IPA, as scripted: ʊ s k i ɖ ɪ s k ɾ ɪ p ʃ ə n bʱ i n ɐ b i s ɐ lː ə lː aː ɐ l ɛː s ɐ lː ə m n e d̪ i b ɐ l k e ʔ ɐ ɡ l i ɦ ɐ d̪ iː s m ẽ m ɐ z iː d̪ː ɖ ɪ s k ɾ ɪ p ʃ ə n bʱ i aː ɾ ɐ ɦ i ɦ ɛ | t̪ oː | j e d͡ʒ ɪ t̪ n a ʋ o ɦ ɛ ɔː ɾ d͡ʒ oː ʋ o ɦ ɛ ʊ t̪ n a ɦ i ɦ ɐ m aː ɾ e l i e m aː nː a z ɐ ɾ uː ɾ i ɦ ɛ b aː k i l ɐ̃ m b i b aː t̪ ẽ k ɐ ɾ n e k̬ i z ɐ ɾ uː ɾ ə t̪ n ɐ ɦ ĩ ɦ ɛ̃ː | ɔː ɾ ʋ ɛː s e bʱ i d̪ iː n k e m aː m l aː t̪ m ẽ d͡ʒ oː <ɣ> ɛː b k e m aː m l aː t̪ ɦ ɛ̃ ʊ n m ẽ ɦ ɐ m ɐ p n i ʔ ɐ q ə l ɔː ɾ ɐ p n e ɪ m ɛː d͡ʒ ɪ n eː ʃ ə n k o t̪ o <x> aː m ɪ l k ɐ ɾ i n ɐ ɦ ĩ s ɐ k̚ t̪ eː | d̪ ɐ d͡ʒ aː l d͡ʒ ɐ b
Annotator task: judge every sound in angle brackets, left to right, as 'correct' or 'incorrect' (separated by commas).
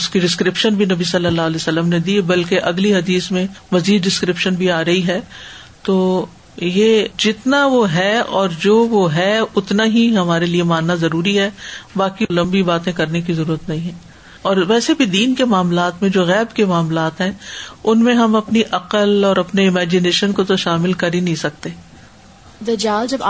correct, incorrect